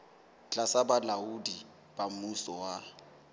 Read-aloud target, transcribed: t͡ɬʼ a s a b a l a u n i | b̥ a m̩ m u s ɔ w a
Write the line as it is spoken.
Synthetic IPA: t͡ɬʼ a s a b a l a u d i | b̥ a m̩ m u s ɔ w a